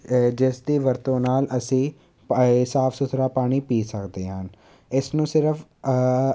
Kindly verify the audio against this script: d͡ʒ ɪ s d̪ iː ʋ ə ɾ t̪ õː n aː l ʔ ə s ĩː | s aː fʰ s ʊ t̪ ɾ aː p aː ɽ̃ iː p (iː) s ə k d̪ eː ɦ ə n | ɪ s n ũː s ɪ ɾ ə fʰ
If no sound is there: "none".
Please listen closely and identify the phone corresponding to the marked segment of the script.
iː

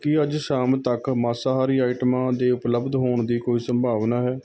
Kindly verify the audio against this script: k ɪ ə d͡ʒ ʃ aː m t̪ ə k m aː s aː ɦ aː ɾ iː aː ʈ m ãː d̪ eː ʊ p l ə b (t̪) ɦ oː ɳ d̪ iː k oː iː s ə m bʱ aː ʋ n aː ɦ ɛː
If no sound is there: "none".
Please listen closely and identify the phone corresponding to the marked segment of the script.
d̪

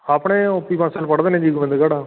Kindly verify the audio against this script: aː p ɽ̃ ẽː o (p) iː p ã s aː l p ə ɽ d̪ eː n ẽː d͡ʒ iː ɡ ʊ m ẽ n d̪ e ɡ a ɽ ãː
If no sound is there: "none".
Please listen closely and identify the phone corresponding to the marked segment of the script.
p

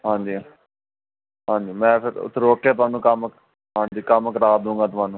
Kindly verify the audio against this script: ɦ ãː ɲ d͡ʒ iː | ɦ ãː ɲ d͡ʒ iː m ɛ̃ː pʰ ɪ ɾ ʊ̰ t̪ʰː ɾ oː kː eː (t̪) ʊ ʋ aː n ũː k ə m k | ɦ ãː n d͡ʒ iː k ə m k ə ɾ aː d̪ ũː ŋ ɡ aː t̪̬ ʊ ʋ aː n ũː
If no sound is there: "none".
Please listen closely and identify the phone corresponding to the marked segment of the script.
t̪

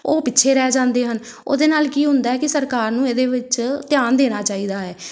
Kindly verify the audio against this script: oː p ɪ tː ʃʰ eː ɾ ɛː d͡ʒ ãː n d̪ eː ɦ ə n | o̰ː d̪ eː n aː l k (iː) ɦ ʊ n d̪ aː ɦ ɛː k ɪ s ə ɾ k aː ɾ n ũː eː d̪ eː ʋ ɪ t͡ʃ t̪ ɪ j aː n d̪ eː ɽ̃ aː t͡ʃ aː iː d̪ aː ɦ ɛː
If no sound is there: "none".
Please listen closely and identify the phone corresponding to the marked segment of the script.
iː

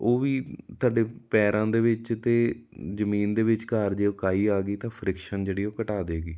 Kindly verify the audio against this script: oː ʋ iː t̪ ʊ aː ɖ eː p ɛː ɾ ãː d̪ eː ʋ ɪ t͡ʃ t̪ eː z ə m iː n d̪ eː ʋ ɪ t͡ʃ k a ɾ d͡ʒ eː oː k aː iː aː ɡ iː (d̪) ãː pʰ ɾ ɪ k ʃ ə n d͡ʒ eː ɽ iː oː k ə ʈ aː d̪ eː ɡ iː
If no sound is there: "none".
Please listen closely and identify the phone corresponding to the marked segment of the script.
t̪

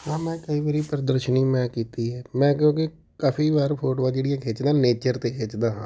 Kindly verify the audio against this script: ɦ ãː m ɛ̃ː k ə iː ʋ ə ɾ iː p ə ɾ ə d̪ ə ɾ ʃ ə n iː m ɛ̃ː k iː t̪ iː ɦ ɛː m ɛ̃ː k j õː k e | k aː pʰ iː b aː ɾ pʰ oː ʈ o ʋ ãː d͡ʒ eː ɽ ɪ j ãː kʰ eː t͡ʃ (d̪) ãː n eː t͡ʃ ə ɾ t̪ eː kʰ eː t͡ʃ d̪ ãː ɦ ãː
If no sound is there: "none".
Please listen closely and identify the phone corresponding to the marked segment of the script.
d̪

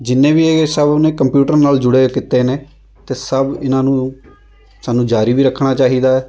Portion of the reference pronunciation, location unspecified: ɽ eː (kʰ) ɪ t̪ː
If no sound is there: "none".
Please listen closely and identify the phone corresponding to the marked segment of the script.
k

